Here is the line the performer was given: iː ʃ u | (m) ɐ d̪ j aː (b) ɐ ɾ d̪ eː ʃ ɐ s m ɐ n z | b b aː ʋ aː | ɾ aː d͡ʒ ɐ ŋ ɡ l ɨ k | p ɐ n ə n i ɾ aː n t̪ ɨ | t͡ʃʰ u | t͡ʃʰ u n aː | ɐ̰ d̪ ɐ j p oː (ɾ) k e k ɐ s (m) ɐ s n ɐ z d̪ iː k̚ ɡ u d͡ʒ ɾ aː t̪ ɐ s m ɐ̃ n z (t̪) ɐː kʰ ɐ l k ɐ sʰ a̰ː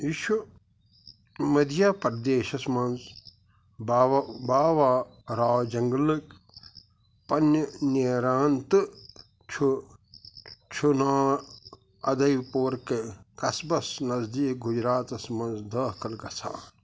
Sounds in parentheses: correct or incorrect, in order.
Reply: correct, incorrect, correct, incorrect, incorrect

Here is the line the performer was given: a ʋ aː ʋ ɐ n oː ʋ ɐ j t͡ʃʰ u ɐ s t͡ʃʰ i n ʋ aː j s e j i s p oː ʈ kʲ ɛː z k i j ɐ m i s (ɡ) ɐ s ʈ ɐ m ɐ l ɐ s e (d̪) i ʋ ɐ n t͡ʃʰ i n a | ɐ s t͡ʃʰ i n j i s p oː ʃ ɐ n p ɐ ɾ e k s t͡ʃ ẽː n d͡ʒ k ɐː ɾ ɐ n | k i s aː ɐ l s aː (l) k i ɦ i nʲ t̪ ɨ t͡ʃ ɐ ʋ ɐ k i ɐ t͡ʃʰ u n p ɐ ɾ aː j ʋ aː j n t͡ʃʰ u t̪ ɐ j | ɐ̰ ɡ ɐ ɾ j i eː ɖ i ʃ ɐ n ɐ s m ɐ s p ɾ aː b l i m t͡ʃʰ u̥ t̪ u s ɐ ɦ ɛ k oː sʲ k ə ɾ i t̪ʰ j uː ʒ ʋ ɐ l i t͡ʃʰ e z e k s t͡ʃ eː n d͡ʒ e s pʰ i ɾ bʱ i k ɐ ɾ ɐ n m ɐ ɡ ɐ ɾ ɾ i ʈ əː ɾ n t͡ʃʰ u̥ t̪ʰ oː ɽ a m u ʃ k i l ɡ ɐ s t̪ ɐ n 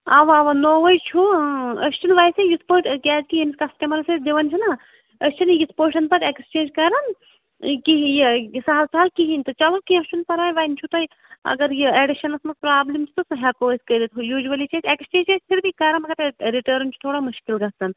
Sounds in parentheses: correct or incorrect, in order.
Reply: incorrect, correct, correct

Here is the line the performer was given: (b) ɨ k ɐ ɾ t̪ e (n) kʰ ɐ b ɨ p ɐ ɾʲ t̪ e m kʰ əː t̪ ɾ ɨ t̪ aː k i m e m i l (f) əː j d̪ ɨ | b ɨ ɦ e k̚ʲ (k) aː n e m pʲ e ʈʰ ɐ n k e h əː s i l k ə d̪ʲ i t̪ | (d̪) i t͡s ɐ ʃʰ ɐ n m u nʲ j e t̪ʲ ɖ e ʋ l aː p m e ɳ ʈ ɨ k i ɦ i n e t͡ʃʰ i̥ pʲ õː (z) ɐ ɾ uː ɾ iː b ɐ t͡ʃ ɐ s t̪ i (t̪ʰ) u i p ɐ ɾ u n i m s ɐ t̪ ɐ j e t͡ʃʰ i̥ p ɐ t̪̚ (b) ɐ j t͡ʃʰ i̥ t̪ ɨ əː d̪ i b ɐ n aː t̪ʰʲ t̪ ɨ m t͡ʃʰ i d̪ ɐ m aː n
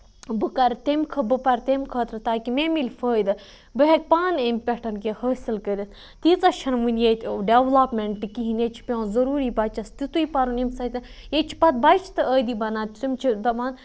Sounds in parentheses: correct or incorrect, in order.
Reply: correct, incorrect, correct, incorrect, incorrect, correct, incorrect, correct

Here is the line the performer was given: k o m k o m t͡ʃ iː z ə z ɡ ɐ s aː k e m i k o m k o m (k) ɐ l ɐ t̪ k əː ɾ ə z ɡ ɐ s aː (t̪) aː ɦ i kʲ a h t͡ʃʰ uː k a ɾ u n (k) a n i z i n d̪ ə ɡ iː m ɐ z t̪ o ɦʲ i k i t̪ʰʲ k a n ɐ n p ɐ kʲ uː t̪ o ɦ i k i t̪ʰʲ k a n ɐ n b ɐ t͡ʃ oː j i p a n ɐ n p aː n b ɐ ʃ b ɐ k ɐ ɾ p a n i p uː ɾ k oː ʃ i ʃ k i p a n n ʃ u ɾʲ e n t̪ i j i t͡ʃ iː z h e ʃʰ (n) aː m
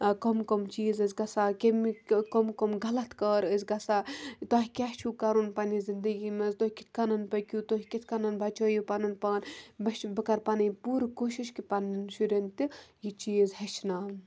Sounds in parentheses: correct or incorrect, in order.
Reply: incorrect, correct, incorrect, correct

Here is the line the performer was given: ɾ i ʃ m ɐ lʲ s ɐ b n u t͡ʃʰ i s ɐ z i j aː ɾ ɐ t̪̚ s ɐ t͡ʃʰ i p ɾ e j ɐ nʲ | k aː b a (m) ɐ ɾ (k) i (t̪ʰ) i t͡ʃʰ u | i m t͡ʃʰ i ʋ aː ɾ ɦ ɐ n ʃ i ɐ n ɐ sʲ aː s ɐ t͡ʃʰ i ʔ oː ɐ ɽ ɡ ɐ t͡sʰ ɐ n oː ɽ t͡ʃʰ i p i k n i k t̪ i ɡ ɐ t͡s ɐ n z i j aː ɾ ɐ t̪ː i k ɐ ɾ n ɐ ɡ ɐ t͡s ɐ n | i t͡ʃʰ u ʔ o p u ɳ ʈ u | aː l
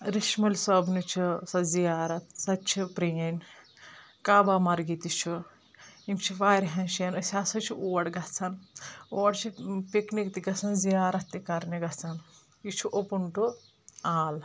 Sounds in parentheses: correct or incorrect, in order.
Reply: correct, incorrect, incorrect

